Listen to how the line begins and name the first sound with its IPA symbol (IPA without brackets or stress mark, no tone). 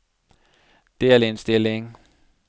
d̥